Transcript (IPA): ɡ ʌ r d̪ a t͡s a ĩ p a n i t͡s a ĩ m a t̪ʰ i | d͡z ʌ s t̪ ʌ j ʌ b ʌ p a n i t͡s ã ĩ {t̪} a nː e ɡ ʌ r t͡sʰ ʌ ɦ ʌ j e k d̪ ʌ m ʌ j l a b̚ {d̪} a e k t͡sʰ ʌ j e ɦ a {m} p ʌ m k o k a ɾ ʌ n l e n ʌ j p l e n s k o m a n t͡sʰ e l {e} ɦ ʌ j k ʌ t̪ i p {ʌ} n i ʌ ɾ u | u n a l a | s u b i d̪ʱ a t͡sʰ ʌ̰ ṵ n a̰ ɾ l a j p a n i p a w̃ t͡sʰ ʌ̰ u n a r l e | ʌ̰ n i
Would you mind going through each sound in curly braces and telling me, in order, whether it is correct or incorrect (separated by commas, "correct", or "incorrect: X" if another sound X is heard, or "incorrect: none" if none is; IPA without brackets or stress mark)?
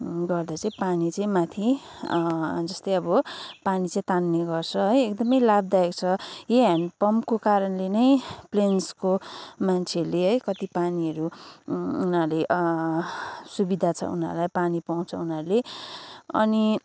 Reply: correct, correct, incorrect: n, correct, incorrect: a